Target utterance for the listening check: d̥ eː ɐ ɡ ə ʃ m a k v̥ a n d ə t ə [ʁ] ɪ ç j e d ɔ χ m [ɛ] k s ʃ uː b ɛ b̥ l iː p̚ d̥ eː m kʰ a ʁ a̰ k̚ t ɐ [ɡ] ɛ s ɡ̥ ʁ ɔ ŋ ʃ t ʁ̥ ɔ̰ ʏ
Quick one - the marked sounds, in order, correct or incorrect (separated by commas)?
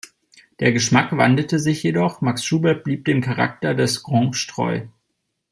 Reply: incorrect, incorrect, incorrect